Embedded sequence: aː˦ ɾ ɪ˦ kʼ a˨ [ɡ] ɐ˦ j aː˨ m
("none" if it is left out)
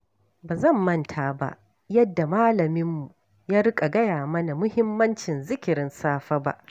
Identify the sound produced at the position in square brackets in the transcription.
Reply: ɡ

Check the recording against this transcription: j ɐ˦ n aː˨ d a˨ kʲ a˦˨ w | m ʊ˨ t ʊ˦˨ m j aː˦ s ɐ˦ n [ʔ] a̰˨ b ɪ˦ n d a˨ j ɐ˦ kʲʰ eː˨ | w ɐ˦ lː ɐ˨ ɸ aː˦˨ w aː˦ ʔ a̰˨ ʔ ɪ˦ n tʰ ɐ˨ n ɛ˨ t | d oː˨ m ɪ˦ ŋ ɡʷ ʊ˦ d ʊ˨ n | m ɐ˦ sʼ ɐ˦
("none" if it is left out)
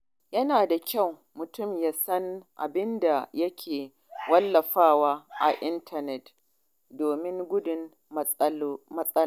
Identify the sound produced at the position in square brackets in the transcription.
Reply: ʔ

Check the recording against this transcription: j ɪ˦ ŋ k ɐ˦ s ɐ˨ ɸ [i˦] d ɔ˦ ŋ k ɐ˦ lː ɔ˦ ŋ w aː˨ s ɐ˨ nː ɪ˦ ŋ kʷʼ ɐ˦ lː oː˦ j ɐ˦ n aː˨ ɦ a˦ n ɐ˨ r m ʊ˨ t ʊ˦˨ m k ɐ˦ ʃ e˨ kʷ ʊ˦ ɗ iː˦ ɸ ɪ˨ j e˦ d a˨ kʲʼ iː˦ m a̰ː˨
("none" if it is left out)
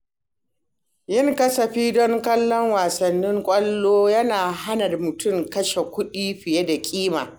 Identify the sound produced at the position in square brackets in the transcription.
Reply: iː˦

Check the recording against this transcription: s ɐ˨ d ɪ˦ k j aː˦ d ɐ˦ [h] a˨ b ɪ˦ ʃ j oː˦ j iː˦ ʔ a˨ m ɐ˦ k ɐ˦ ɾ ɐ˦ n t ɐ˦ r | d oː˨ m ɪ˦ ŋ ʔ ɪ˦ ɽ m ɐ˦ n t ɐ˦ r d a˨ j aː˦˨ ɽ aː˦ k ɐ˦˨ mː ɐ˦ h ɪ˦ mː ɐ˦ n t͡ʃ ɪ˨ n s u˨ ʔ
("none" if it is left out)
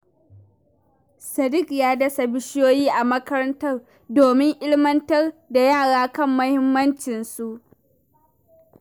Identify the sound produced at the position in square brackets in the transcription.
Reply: s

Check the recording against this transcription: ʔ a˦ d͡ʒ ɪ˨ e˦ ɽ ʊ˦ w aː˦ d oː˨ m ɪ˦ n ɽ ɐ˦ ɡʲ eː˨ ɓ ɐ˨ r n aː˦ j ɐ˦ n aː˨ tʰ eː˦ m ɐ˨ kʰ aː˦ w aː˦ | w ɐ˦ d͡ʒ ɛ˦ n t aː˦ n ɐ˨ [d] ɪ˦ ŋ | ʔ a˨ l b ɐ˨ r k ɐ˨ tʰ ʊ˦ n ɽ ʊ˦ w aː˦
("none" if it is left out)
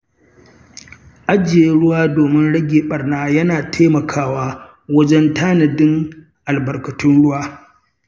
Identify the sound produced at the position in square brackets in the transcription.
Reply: d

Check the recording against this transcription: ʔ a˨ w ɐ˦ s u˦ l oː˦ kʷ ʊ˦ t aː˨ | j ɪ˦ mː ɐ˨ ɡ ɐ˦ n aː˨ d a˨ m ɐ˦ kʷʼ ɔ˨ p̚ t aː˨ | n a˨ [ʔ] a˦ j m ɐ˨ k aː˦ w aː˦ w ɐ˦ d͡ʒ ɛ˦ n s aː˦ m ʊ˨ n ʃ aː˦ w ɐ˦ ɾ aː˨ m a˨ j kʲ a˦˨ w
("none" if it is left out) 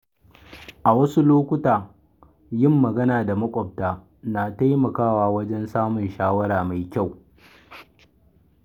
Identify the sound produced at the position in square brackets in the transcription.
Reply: t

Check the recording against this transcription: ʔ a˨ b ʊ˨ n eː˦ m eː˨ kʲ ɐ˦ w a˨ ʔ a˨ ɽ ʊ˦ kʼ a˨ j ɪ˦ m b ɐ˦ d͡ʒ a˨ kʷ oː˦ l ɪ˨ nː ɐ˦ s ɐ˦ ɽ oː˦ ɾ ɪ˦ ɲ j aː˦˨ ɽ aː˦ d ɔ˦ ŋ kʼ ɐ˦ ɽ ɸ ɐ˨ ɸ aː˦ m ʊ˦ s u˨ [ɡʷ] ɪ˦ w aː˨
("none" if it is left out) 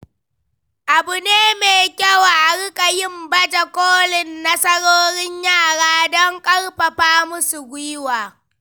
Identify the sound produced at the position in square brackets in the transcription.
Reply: ɡʷ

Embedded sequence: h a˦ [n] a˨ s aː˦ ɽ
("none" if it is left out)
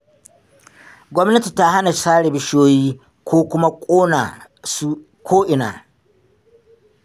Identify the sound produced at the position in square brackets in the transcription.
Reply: n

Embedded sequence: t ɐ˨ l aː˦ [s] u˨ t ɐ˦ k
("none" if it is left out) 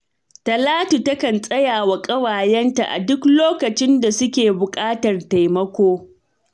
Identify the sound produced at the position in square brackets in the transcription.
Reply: t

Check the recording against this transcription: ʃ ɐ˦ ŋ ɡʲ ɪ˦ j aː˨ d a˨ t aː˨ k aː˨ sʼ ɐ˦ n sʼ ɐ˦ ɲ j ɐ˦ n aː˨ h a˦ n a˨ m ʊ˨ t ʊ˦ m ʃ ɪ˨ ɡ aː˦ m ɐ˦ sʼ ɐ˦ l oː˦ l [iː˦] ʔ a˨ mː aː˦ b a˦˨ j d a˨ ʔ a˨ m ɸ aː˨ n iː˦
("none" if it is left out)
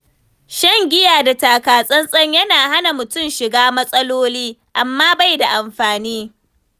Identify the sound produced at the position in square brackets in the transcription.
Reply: iː˦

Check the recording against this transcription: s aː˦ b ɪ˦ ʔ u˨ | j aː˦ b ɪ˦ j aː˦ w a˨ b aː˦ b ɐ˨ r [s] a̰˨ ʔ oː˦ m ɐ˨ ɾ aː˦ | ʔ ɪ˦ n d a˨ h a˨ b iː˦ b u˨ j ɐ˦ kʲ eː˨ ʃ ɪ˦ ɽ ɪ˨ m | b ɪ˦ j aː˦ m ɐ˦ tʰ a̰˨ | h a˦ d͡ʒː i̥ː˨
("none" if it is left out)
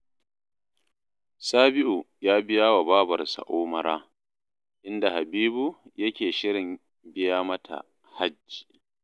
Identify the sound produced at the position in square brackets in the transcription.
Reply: s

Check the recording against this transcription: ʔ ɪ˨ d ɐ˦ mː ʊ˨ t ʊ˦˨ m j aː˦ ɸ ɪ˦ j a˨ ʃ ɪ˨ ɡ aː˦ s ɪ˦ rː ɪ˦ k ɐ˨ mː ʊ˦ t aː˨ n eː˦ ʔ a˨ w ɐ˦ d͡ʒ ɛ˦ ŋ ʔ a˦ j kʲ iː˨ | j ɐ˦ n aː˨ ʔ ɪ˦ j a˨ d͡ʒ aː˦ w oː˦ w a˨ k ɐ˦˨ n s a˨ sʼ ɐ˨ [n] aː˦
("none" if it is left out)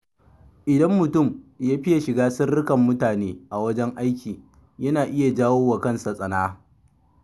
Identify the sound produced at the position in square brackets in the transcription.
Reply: n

